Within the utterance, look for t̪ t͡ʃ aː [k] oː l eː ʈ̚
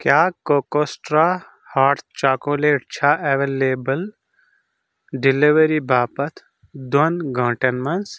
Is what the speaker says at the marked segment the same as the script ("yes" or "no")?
yes